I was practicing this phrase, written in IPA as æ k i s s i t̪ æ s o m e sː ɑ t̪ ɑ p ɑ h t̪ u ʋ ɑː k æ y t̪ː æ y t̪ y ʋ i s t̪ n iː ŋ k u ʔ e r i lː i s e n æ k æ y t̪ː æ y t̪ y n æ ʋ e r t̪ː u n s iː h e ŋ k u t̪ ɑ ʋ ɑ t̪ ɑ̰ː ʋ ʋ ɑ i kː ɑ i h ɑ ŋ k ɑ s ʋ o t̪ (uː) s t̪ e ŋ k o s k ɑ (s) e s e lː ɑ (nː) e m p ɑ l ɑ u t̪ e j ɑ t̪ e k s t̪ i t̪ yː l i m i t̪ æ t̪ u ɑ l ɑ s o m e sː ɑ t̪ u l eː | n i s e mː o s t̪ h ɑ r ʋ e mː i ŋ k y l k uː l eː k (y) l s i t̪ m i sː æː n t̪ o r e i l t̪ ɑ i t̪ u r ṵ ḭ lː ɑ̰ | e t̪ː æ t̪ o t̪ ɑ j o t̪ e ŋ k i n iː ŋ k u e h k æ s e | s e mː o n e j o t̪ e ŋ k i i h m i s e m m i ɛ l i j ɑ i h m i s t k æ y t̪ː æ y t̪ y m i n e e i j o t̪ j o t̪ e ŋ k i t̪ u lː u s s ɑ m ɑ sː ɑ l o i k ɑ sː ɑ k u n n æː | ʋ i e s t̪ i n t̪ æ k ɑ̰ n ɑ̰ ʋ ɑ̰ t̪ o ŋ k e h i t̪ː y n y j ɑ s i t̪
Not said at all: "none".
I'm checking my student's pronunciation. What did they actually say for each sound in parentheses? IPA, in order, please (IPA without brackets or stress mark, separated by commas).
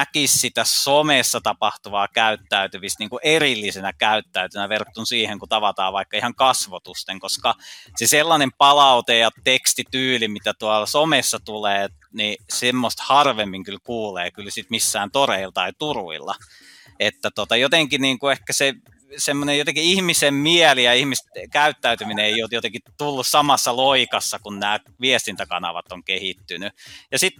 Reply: u, s, n, y